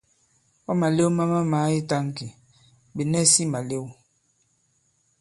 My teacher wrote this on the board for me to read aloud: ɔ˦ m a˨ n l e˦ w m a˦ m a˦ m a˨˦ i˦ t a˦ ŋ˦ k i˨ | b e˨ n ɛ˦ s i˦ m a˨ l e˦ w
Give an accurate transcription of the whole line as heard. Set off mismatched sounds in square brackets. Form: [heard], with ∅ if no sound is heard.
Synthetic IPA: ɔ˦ m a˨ [∅] l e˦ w m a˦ m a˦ m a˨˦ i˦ t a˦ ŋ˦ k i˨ | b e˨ n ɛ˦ s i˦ m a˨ l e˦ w